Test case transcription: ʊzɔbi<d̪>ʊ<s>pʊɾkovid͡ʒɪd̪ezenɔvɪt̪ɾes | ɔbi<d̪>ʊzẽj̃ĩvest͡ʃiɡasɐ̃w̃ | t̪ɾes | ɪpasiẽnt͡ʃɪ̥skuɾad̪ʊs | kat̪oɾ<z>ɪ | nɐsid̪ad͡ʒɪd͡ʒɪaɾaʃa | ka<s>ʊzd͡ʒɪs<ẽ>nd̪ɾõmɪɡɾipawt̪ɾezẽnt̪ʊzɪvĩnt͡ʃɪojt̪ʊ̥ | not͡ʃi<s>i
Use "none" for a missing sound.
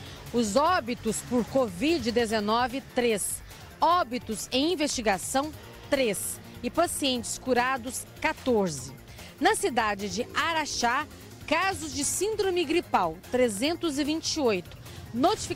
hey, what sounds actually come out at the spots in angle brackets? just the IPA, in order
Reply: t̪, s, t̪, z, z, ĩ, f

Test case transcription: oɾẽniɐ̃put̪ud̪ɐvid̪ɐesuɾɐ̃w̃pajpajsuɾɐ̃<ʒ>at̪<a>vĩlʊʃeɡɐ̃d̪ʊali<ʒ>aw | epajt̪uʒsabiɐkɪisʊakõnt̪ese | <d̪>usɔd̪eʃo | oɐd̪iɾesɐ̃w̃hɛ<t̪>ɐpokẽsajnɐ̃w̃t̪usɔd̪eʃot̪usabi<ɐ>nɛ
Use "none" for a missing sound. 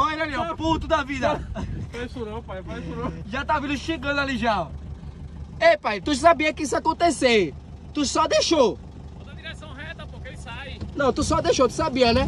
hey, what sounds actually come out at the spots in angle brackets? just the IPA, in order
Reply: ʒ, a, ʒ, t̪, t̪, ɐ

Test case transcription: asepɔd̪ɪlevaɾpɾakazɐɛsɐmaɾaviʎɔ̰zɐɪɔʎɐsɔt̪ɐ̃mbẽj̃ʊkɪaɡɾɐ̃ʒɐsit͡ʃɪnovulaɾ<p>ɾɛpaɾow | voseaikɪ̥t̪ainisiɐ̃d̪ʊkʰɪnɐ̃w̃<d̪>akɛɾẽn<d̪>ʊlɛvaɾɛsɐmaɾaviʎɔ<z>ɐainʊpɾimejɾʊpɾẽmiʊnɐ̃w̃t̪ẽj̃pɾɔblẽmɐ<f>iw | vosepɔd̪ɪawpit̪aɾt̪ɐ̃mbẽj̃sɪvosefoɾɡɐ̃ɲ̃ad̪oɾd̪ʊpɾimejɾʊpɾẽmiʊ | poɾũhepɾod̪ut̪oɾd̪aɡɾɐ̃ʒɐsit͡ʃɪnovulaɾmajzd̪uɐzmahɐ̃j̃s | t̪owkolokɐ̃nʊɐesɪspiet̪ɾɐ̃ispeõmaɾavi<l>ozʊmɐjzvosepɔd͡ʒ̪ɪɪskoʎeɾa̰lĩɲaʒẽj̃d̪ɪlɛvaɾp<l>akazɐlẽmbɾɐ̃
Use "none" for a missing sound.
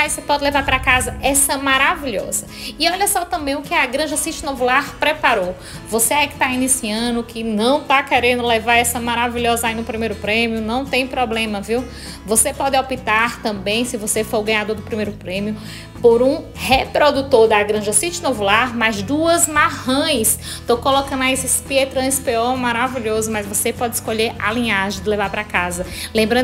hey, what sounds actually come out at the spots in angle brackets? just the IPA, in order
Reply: p, t̪, d̪, z, v, ʎ, ɾ

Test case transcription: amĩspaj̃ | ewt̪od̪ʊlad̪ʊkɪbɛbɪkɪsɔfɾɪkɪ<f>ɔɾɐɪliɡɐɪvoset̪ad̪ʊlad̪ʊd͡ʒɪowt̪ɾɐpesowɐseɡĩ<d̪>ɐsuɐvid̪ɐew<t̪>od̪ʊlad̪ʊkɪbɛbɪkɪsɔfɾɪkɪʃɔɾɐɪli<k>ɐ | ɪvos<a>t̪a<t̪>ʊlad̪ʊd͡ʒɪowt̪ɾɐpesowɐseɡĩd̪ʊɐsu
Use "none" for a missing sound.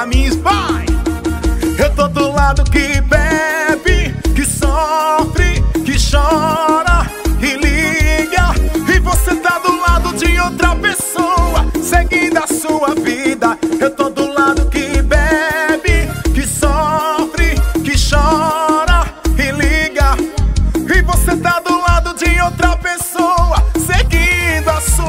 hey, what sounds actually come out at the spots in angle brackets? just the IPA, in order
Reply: ʃ, d̪, t̪, ɡ, e, d̪

